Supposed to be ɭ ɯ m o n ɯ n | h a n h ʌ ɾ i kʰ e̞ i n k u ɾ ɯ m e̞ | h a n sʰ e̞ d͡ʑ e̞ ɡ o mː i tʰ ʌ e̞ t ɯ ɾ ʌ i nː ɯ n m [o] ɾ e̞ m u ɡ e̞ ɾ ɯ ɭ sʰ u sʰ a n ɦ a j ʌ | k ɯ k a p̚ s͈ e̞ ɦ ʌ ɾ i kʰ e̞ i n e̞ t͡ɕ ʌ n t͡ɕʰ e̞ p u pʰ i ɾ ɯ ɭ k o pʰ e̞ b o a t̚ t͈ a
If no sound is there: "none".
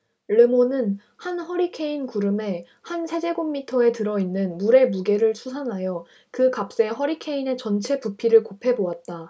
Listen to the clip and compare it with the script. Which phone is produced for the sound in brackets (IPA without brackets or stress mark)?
u